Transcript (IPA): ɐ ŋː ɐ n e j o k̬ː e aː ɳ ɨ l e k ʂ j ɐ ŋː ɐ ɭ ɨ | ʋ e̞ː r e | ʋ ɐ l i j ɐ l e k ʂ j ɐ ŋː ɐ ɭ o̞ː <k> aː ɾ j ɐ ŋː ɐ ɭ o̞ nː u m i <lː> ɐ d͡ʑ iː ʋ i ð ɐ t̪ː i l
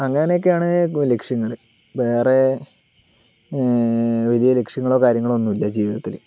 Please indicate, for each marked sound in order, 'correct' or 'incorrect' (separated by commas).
correct, correct